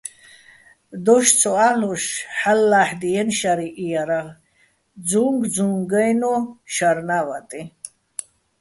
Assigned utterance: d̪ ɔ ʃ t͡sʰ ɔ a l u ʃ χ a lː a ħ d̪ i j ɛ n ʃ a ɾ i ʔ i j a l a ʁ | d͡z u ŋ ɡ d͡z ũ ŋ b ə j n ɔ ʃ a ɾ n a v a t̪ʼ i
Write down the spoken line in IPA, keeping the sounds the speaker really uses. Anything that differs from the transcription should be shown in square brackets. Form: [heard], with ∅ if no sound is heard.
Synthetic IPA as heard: d̪ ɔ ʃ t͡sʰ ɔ a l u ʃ [ħ] a lː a ħ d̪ i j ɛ n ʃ a ɾ i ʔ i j a [ɾ] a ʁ | d͡z u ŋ ɡ d͡z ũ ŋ [ɡ] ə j n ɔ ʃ a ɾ n a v a t̪ʼ i